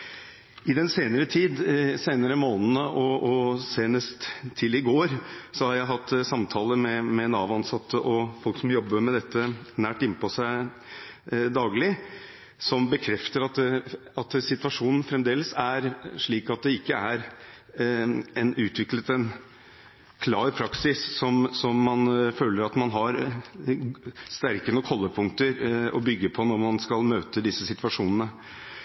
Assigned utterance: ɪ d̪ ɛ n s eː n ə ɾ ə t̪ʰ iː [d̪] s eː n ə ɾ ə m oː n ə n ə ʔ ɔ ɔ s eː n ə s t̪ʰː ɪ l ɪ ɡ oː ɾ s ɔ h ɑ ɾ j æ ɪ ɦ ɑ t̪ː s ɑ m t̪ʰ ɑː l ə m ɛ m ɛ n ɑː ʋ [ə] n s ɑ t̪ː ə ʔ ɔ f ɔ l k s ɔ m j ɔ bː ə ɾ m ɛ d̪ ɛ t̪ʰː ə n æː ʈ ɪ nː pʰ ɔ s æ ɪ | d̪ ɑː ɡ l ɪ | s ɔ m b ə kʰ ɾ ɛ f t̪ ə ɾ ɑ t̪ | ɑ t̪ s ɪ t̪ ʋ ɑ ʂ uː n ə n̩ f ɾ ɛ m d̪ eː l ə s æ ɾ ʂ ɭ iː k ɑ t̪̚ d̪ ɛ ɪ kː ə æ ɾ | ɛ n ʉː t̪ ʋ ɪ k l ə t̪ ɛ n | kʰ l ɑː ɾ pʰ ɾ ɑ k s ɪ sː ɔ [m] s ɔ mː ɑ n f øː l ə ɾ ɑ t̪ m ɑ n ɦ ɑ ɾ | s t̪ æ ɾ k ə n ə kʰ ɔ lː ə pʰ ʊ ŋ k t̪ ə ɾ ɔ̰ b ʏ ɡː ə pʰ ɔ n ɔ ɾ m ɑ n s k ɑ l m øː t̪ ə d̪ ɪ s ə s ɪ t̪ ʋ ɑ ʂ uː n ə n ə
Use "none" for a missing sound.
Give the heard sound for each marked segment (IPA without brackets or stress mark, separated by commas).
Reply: d̪, ɑ, m